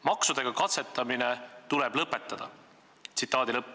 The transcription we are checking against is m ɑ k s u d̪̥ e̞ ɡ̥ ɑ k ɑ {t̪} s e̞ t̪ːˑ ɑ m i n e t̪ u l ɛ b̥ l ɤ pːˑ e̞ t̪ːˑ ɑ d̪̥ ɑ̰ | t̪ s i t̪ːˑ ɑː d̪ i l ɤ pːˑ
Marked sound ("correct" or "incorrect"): correct